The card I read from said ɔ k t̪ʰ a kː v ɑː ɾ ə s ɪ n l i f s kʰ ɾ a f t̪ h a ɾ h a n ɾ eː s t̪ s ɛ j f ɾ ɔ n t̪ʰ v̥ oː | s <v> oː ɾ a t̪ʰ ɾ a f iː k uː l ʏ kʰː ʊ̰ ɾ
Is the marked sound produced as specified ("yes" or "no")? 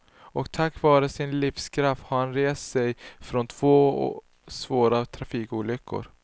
yes